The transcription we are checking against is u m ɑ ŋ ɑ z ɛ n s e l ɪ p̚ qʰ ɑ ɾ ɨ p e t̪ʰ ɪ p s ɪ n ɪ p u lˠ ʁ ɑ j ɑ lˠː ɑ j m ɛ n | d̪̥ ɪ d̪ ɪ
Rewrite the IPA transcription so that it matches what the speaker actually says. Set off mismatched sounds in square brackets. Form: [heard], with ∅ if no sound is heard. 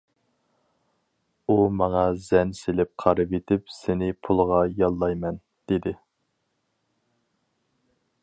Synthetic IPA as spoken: u m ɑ ŋ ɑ z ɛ n s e l ɪ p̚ qʰ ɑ ɾ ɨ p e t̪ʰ ɪ p s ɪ n ɪ [pʰ] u lˠ ʁ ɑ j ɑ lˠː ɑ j m ɛ n | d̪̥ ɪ d̪ ɪ

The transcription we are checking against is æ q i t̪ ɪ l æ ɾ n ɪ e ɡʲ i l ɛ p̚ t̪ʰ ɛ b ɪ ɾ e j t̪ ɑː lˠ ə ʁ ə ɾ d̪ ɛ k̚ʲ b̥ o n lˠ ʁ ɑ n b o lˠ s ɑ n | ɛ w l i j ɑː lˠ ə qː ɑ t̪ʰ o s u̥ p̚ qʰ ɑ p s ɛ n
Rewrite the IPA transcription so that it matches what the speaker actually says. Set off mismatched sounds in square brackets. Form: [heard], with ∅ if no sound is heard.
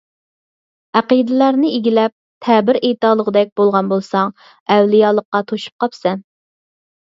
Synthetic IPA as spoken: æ q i [d̪] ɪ l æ ɾ n ɪ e ɡʲ i l ɛ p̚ t̪ʰ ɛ b ɪ ɾ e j t̪ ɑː lˠ ə ʁ ə [∅] d̪ ɛ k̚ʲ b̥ o [∅] lˠ ʁ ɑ n b o lˠ s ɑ [ŋ] | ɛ w l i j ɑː lˠ ə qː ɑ t̪ʰ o [ʃ] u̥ p̚ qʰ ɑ p s ɛ n

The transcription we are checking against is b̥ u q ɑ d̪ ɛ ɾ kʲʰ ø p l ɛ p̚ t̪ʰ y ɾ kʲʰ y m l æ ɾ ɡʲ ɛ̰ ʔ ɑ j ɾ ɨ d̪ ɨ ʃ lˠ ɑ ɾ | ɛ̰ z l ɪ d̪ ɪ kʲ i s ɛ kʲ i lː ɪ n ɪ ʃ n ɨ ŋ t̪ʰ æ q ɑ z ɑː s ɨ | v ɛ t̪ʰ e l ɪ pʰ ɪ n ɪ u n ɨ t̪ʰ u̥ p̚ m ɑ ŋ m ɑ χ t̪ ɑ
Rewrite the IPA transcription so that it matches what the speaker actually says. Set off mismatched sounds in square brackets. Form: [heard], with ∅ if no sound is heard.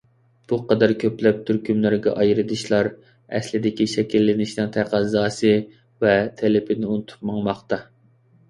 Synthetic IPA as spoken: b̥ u q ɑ d̪ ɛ ɾ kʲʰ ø p l ɛ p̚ t̪ʰ y ɾ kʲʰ y m l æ ɾ ɡʲ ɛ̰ ʔ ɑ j ɾ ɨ d̪ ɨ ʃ lˠ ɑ ɾ | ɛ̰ [s] l ɪ d̪ ɪ kʲ i [ʃ] ɛ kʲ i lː ɪ n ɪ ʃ n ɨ ŋ t̪ʰ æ q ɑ z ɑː s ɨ | v ɛ t̪ʰ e l ɪ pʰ ɪ n ɪ u n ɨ t̪ʰ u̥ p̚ m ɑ ŋ m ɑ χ t̪ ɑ

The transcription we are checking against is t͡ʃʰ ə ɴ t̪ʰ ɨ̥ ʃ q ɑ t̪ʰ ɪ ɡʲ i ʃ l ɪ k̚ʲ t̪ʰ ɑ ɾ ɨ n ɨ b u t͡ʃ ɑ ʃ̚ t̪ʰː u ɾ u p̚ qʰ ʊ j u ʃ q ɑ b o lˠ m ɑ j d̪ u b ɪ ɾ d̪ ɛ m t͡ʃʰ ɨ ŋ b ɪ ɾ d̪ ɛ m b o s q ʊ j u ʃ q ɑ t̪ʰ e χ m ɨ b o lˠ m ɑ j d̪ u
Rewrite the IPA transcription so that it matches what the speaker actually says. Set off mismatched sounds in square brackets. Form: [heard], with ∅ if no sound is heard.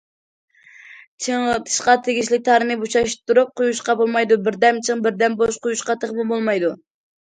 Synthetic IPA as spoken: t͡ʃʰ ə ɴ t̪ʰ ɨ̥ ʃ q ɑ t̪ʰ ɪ ɡʲ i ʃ l ɪ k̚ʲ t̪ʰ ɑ ɾ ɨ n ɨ b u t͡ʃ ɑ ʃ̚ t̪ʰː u ɾ u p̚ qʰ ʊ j u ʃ q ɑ b o lˠ m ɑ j d̪ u b ɪ ɾ d̪ ɛ m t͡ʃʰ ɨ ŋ b ɪ ɾ d̪ ɛ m b o [ʃ] q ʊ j u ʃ q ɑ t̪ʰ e χ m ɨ b o lˠ m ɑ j d̪ u

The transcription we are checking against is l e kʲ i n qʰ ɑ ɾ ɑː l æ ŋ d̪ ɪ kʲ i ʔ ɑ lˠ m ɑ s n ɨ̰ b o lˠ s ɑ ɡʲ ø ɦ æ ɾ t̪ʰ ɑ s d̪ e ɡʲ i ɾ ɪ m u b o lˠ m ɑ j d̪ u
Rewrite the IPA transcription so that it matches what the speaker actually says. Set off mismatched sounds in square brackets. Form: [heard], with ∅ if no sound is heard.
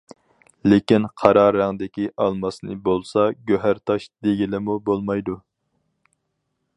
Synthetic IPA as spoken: l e kʲ i n qʰ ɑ ɾ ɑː [ɾ] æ ŋ d̪ ɪ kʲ i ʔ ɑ lˠ m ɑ s n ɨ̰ b o lˠ s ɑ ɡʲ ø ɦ æ ɾ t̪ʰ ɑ [ʃ] d̪ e ɡʲ i [l] ɪ m u b o lˠ m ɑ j d̪ u

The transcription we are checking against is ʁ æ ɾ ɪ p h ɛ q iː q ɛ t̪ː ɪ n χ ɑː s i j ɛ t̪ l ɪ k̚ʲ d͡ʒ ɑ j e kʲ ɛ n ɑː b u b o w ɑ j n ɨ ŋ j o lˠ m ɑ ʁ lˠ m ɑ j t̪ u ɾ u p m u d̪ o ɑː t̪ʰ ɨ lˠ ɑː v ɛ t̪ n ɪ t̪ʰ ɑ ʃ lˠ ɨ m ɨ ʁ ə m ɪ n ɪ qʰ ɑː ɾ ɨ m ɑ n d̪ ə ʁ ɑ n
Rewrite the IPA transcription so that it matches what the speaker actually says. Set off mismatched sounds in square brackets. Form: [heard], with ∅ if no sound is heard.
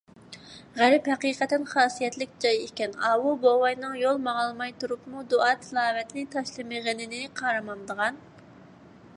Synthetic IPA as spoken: ʁ æ ɾ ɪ p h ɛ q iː q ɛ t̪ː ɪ n χ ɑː s i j ɛ t̪ l ɪ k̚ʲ d͡ʒ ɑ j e kʲ ɛ n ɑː [w] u b o w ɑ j n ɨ ŋ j o lˠ m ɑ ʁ lˠ m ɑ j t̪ u ɾ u p m u d̪ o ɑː t̪ʰ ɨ lˠ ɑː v ɛ t̪ n ɪ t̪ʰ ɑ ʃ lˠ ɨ m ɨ ʁ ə [n] ɪ n ɪ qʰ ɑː ɾ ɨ m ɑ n d̪ ə ʁ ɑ n

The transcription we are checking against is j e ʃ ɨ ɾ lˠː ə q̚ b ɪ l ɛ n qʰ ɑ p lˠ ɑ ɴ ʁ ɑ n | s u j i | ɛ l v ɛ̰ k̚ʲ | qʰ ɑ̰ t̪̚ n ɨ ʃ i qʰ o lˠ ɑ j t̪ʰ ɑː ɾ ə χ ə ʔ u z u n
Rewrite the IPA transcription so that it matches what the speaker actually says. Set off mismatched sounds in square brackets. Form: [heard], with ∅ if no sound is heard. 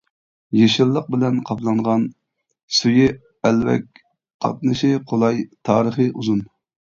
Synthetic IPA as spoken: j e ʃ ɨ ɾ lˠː ə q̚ b ɪ l ɛ n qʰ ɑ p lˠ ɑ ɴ ʁ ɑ n | s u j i | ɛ l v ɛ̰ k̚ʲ | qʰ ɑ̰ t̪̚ n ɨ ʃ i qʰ o lˠ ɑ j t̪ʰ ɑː ɾ ə χ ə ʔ u z u n

